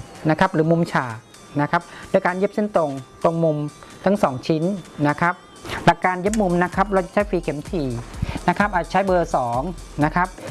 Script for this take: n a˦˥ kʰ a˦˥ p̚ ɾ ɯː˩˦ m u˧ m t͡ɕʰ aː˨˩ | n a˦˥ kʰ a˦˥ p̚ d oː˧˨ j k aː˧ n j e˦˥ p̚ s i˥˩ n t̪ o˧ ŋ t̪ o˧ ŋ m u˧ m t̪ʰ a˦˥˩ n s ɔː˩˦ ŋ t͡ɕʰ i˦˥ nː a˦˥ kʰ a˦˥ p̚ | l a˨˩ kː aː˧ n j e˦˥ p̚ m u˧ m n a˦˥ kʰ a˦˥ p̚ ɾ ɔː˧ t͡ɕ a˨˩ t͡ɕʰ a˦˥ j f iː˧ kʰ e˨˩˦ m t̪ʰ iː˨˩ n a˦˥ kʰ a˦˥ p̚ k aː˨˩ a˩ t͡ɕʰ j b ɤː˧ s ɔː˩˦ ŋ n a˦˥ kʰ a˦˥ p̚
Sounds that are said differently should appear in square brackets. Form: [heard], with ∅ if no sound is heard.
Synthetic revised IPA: n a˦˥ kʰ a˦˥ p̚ ɾ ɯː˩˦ m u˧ m t͡ɕʰ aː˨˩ | n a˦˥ kʰ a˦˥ p̚ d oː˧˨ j k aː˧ n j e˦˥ p̚ s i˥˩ n t̪ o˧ ŋ t̪ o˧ ŋ m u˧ m t̪ʰ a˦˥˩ [ŋ] s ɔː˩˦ ŋ t͡ɕʰ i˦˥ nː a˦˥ kʰ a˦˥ p̚ | l a˨˩ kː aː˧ n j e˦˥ p̚ m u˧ m n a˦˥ kʰ a˦˥ p̚ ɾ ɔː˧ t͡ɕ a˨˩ t͡ɕʰ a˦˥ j f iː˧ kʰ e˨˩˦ m t̪ʰ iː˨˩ n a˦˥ kʰ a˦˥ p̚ [ʔ] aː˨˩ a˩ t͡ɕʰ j b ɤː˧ s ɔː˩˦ ŋ n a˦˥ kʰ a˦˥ p̚

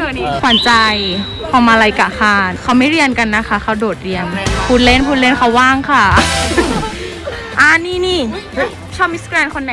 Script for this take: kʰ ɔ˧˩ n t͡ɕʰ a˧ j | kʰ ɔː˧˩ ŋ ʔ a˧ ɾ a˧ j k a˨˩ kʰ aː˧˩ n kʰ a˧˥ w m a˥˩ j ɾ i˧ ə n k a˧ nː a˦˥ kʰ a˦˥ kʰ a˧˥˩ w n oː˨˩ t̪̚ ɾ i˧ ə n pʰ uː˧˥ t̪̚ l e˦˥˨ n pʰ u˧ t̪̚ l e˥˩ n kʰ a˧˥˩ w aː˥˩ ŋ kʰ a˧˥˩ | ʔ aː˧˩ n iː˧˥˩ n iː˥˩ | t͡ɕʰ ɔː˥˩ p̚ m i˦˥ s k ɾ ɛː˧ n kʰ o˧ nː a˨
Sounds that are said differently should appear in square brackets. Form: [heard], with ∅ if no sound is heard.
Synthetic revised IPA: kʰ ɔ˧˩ n [t͡ɕ] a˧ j | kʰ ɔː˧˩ [m] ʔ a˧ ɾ a˧ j k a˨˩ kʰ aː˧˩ n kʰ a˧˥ w m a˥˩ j ɾ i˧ ə n k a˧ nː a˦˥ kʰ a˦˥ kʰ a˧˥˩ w [d] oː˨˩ t̪̚ ɾ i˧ ə n pʰ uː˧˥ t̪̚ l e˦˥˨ n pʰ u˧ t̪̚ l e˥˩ n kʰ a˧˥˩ w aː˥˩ ŋ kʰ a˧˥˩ | ʔ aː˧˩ n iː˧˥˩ n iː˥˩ | t͡ɕʰ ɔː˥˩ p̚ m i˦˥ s k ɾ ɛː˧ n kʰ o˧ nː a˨

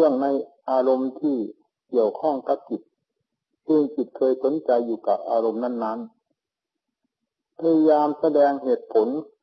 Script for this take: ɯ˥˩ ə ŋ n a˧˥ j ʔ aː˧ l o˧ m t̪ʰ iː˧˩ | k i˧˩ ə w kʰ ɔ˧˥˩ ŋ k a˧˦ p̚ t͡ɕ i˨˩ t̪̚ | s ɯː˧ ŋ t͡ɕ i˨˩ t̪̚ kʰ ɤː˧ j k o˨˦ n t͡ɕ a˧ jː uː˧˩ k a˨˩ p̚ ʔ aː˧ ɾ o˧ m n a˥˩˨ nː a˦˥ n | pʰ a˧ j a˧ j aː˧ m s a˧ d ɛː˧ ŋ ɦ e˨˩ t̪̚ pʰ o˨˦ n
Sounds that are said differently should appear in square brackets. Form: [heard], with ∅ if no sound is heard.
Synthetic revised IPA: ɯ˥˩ ə ŋ n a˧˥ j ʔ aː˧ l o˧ m t̪ʰ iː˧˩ | k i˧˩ ə w kʰ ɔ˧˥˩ ŋ k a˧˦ p̚ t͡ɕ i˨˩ t̪̚ | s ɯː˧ ŋ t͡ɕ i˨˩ t̪̚ kʰ ɤː˧ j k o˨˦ n t͡ɕ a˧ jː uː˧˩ k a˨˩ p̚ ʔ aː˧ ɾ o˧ m n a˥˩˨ nː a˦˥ n | pʰ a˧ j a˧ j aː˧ m s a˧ d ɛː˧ ŋ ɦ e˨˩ t̪̚ pʰ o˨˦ n

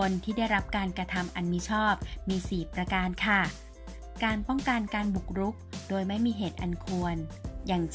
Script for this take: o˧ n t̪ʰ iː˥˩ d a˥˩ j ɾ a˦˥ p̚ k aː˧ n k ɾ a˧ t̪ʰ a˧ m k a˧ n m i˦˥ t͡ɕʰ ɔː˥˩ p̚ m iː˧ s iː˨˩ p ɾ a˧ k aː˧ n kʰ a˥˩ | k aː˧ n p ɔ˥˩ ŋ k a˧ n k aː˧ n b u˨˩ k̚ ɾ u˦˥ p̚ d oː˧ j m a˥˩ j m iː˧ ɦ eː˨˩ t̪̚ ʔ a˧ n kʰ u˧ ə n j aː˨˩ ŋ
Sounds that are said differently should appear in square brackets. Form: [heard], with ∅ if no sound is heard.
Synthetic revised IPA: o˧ n t̪ʰ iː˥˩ d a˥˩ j ɾ a˦˥ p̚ k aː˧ n k ɾ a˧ t̪ʰ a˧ m [ʔ] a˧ n m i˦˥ t͡ɕʰ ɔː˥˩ p̚ m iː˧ s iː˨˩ p ɾ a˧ k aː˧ n kʰ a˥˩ | k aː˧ n p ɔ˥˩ ŋ k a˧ n k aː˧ n b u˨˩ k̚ ɾ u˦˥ [k̚] d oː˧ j m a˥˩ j m iː˧ ɦ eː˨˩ t̪̚ ʔ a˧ n kʰ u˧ ə n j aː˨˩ ŋ

